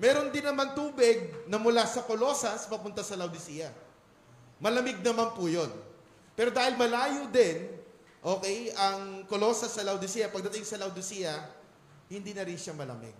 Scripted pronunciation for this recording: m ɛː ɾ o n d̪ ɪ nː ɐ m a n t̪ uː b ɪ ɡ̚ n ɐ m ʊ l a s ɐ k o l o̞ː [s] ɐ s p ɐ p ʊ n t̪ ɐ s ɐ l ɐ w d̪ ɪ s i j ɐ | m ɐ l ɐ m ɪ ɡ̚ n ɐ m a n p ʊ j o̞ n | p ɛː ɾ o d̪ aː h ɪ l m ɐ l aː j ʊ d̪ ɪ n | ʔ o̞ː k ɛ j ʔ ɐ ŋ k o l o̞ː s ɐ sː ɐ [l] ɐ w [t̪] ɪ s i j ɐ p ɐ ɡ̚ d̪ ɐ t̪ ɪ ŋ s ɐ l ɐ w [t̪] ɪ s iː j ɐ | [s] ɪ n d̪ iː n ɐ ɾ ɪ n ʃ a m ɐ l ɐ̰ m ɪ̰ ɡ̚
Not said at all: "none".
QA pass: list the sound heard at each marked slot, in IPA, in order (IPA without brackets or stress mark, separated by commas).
s, l, d̪, d̪, h